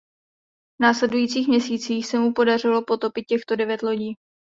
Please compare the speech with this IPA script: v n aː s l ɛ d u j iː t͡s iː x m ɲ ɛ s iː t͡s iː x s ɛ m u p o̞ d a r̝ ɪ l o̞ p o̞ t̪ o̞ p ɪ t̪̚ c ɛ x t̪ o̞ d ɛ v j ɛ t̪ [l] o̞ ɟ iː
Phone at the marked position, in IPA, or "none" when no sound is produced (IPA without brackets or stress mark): l